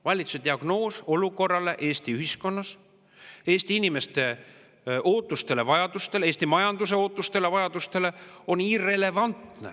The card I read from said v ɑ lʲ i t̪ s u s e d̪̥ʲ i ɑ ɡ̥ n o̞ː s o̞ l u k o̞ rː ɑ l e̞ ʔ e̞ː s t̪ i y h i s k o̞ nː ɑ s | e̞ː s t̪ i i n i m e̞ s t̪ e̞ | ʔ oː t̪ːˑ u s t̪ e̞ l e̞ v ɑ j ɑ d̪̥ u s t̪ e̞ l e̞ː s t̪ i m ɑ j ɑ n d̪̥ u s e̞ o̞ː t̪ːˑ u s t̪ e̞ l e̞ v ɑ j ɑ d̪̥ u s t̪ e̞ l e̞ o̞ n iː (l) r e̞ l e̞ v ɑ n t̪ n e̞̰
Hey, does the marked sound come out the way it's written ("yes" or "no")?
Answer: no